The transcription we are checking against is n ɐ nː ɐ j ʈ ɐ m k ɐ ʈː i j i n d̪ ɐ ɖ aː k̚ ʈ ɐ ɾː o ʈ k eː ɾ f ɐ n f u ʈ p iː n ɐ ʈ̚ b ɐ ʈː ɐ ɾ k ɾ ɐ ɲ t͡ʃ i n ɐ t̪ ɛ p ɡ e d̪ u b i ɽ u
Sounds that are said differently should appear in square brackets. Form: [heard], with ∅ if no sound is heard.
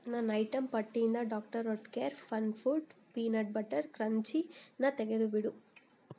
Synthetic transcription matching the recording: n ɐ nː ɐ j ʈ ɐ m [p] ɐ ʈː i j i n d̪ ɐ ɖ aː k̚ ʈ ɐ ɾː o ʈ k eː ɾ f ɐ n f u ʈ p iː n ɐ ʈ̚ b ɐ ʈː ɐ ɾ k ɾ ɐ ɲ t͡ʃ i n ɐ t̪ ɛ [∅] ɡ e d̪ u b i ɽ u